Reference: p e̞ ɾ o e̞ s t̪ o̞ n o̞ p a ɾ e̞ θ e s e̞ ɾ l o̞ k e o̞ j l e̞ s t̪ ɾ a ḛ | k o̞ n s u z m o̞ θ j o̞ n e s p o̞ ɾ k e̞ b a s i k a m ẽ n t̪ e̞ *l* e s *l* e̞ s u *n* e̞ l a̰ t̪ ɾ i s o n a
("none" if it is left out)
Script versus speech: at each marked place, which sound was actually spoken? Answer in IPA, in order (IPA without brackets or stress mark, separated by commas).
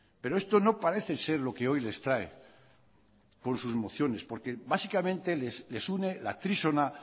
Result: l, l, n